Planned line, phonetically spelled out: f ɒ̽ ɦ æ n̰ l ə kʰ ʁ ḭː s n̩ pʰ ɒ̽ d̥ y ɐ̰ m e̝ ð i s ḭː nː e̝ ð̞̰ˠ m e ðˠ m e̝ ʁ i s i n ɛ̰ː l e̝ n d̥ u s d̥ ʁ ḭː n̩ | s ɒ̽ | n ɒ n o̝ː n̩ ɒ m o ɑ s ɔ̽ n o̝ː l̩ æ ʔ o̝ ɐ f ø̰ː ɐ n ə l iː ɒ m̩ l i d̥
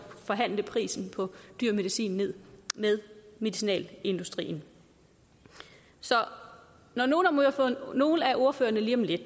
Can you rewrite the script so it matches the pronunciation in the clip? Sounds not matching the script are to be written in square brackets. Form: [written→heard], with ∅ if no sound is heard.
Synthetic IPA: f ɒ̽ ɦ æ n̰ l ə [kʰ→pʰ] ʁ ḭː s n̩ pʰ ɒ̽ d̥ y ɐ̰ m e̝ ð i s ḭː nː e̝ ð̞̰ˠ m e ðˠ m e̝ [ʁ→ð] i s i n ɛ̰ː l e̝ n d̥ u s d̥ ʁ ḭː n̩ | s ɒ̽ | n ɒ n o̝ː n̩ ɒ m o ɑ [s→f] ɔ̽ n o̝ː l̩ æ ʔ o̝ ɐ f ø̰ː ɐ n ə l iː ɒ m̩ l [i→e] d̥